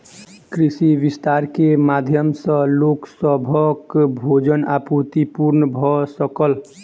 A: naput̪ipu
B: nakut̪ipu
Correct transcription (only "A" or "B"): A